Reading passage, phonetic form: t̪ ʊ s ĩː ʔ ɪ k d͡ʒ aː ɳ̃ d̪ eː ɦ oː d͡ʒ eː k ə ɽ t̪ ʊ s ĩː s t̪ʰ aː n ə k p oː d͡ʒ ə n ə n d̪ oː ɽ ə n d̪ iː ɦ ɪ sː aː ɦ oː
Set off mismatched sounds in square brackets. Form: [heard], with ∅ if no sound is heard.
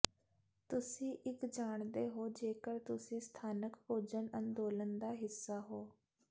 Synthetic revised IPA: t̪ ʊ s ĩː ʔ ɪ k d͡ʒ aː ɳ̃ d̪ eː ɦ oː d͡ʒ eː k ə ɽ t̪ ʊ s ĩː s t̪ʰ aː n ə k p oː d͡ʒ ə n ə n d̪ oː [l] ə n d̪ [aː] ɦ ɪ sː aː ɦ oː